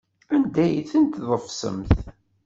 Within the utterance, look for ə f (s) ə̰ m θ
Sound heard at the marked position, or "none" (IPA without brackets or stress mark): s